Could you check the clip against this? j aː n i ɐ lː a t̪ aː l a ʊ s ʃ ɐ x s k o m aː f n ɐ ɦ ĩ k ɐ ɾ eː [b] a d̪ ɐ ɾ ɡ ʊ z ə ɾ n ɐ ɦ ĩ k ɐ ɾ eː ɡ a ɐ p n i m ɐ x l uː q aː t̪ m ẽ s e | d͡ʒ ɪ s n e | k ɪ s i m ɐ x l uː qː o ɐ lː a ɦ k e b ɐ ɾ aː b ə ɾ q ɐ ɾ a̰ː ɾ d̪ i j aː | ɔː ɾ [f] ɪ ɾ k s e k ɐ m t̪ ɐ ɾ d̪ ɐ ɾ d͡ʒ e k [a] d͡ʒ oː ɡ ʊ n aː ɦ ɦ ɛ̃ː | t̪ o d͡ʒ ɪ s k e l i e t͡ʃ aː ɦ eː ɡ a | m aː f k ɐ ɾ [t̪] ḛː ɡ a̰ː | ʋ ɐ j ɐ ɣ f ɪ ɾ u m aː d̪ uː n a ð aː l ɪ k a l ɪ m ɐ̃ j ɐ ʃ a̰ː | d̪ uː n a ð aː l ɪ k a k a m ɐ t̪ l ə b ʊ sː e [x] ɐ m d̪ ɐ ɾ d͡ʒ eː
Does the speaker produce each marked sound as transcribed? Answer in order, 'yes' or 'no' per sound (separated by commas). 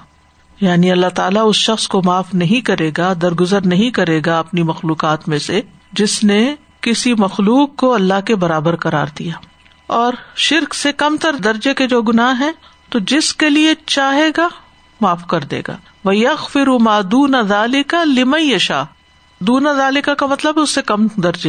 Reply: no, no, no, no, no